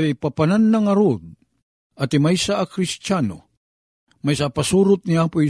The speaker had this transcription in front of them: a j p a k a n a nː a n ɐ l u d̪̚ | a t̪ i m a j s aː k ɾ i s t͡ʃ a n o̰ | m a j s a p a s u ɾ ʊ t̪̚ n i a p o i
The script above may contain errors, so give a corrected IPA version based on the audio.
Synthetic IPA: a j p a p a n a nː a ŋ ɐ ɾ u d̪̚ | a t̪ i m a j s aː k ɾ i s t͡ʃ a n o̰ | m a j s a p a s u ɾ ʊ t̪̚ n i a p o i